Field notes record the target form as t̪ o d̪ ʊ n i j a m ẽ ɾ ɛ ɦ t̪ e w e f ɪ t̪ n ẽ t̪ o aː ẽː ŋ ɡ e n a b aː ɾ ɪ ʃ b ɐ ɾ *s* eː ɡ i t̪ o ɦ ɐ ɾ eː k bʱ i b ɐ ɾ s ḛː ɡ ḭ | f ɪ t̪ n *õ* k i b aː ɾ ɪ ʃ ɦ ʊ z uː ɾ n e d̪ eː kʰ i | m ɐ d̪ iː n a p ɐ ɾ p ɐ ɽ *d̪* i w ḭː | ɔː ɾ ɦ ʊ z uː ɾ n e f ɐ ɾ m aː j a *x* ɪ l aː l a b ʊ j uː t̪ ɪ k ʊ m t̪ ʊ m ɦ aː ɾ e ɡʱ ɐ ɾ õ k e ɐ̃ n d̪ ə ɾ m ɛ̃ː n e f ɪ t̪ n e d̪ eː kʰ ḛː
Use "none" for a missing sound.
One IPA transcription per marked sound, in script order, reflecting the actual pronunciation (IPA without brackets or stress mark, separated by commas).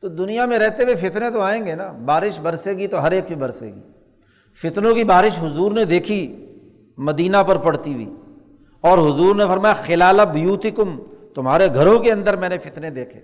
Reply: s, õ, t̪, x